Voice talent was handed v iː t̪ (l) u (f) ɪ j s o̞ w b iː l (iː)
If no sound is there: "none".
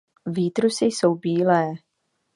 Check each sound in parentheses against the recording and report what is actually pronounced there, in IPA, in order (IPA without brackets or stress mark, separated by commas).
ɾ, s, ɛː